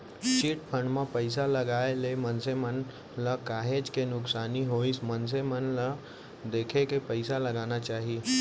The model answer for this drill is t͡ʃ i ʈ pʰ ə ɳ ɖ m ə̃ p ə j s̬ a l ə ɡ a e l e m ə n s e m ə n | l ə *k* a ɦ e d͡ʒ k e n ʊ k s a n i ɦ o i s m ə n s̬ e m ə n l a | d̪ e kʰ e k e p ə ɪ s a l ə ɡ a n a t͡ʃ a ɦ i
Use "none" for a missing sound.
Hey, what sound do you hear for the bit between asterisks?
k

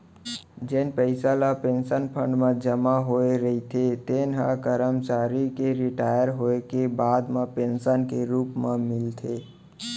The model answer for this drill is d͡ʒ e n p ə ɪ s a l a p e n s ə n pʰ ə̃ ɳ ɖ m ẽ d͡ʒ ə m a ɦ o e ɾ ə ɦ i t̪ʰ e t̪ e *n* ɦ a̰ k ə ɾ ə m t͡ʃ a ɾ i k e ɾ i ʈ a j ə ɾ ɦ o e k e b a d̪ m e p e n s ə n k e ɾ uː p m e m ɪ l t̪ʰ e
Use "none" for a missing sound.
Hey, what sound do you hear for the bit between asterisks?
n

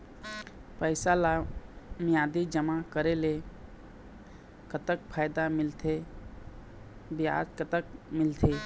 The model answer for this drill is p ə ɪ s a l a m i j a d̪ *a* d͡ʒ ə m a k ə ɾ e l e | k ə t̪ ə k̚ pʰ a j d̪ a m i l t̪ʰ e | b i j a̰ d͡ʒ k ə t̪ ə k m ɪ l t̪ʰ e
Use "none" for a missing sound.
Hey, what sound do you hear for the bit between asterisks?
i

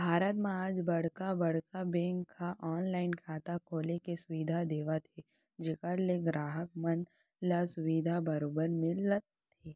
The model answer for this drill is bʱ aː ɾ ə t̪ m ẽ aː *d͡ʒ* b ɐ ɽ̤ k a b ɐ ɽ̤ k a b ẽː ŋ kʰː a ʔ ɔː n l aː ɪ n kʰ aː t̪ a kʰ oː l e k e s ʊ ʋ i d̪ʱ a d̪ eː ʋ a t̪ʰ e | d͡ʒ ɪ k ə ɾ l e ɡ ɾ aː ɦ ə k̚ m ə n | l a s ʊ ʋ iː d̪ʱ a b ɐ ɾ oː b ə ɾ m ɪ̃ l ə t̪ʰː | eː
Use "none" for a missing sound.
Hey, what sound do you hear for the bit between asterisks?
d͡ʒ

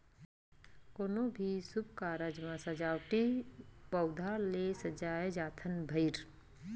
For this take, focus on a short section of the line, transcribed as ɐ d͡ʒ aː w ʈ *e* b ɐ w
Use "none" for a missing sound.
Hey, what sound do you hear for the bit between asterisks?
i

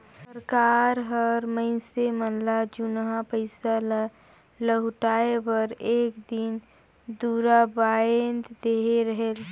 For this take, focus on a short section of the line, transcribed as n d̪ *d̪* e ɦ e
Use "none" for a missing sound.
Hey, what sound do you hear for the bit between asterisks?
d̪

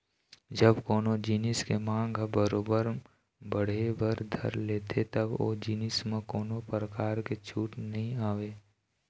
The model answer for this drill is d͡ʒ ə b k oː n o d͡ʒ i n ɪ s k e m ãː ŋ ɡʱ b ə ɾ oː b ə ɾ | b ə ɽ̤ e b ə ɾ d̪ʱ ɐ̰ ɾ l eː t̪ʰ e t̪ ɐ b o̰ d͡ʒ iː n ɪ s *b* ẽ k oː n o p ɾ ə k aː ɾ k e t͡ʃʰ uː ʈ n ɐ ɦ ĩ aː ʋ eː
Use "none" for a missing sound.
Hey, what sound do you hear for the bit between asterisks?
m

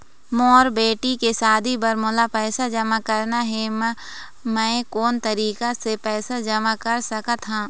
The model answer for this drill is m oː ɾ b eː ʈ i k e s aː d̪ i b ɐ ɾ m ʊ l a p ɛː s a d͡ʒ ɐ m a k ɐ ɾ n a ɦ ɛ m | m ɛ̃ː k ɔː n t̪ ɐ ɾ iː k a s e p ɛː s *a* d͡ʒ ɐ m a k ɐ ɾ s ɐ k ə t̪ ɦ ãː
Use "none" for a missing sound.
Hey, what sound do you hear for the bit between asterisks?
a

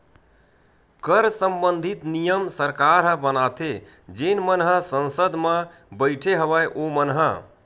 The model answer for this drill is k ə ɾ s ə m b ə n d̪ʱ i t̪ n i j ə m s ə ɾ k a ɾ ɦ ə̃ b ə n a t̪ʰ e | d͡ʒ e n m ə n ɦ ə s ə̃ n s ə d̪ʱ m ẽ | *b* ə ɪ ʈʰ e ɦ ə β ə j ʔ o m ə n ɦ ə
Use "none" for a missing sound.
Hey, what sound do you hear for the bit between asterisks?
b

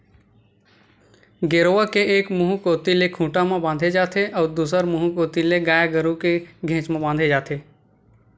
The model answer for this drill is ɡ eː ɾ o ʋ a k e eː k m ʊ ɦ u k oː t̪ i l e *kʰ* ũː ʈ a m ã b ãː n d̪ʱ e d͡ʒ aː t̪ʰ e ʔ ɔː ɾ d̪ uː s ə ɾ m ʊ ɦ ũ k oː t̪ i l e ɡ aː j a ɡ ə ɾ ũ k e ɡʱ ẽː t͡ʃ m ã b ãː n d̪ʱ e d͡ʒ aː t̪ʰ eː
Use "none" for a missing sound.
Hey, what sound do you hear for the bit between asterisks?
kʰ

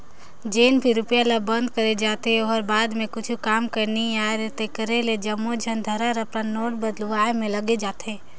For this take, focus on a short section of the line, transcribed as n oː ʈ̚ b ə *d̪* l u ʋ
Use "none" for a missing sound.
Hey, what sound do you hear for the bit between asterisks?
d̪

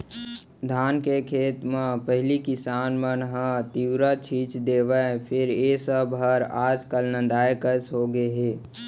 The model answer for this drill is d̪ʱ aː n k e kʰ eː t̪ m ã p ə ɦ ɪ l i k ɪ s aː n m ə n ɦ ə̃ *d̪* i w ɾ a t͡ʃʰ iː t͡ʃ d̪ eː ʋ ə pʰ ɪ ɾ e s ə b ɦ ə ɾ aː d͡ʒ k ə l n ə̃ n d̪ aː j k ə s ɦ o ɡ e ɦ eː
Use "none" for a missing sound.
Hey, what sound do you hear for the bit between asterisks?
t̪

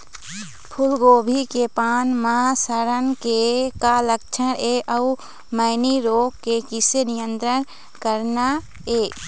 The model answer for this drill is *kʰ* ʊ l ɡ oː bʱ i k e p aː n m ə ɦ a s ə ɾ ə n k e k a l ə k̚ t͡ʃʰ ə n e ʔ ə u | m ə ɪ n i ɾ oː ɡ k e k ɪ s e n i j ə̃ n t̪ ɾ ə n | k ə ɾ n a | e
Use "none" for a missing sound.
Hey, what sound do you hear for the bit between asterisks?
pʰ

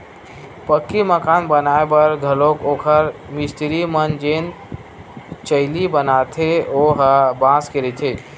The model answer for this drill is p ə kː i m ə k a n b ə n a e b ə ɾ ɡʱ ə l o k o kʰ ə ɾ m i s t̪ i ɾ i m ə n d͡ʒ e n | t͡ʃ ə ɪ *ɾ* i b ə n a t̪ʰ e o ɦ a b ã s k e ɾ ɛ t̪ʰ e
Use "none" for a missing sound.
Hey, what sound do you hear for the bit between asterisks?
l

